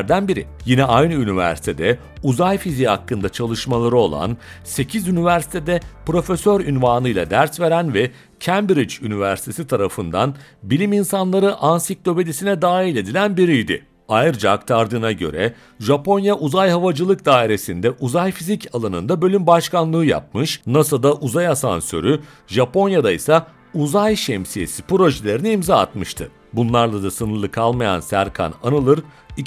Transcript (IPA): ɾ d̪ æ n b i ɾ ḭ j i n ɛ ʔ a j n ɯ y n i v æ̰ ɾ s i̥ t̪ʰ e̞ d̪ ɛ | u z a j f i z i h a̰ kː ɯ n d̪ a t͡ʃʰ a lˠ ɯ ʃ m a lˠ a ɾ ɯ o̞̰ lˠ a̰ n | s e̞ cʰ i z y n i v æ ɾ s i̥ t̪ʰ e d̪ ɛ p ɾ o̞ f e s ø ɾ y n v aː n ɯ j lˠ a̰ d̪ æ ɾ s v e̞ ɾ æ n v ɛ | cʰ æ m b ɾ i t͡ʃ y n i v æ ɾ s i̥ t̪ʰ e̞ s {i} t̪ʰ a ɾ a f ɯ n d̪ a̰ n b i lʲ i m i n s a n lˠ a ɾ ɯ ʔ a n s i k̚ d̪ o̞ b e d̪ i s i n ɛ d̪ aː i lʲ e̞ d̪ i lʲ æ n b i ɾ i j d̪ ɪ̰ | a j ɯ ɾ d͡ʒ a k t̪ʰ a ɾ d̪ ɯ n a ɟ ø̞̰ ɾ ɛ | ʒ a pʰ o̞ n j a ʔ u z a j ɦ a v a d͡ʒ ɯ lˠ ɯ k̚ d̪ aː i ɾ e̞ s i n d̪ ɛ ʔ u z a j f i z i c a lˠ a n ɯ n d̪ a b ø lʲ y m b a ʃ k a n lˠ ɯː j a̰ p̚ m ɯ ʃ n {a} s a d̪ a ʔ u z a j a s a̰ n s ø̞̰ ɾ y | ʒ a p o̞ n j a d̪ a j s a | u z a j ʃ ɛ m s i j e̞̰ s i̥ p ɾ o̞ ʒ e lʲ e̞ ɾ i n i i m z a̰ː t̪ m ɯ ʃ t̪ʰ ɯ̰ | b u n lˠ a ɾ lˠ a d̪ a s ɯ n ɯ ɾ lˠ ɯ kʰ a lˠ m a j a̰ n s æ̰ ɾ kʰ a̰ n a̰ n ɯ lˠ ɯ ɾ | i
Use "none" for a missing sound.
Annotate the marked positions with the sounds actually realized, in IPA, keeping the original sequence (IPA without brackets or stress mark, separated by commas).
i, a